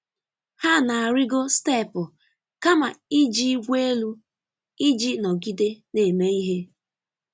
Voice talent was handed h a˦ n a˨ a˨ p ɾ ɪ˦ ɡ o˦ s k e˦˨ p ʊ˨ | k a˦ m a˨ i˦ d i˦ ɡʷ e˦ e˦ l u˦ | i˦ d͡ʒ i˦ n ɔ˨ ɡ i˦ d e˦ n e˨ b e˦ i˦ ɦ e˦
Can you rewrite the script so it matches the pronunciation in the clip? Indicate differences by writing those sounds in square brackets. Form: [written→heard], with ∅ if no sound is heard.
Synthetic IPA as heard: h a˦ n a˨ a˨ [p→∅] ɾ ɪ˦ ɡ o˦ s [k→t] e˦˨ p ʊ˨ | k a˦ m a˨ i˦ [d→d͡ʒ] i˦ ɡʷ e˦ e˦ l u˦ | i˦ d͡ʒ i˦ n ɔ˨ ɡ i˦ d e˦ n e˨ [b→m] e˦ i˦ ɦ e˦